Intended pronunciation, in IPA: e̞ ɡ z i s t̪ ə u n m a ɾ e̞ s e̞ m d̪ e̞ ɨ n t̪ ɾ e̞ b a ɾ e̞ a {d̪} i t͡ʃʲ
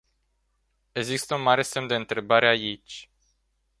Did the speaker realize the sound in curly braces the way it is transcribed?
no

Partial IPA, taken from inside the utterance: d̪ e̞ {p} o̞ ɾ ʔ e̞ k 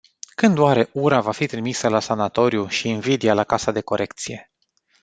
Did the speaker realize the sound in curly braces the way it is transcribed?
no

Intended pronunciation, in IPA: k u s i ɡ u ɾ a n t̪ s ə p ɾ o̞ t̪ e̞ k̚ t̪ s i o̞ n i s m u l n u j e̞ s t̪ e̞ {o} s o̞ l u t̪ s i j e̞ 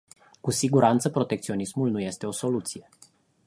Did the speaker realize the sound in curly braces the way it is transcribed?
yes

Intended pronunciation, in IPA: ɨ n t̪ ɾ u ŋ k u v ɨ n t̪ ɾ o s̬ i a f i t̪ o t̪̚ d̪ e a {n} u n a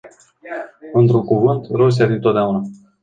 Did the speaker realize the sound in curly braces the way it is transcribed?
no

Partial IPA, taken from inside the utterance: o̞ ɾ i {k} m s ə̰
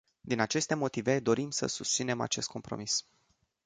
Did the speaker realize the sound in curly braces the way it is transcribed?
no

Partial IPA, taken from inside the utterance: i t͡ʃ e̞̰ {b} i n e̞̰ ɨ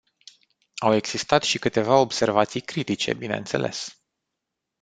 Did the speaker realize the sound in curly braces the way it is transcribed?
yes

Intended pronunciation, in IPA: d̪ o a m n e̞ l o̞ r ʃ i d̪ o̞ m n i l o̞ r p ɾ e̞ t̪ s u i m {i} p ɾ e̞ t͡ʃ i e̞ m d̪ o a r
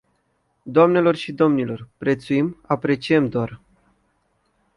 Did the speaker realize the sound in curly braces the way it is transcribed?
no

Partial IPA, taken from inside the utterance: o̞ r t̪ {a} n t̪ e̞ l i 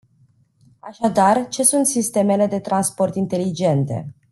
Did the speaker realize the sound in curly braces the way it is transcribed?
no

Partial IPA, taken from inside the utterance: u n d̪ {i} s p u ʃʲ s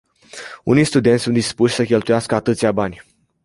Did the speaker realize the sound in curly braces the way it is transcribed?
yes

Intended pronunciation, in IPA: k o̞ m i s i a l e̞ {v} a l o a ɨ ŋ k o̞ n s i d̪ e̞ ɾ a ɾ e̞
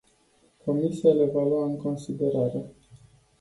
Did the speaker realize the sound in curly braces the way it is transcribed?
yes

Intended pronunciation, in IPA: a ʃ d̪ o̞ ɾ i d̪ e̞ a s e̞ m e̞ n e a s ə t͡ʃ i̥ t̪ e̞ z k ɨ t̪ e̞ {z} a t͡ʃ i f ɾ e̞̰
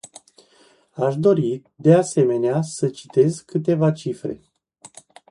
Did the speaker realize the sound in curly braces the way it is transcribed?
no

